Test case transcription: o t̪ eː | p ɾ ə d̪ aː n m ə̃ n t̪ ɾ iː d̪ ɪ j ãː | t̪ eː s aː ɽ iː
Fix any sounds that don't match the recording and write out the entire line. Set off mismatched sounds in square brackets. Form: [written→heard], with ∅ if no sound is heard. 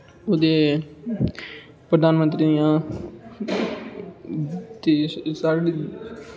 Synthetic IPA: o [t̪→d̪] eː | p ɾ ə d̪ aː n m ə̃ n t̪ ɾ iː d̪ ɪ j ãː | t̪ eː s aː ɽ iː